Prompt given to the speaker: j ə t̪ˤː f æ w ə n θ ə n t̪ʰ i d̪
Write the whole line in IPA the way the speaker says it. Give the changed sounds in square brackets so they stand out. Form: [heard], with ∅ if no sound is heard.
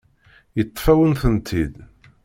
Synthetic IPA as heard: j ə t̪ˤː f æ w ə n θ ə n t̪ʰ i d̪